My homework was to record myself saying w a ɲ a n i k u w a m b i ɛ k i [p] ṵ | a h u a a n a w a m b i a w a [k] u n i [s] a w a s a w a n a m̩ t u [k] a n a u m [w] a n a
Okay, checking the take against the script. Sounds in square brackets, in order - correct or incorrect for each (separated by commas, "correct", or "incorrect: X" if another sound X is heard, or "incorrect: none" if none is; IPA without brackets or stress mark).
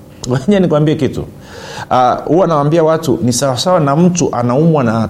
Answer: incorrect: t, incorrect: t, correct, incorrect: ʔ, correct